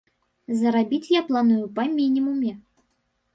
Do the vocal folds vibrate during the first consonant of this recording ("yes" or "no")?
yes